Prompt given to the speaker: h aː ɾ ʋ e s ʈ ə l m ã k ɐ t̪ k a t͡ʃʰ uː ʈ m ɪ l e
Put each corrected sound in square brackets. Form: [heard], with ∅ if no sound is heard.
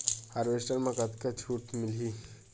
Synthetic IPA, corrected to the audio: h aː ɾ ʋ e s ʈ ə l m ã k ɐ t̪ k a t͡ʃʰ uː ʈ m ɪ l [i]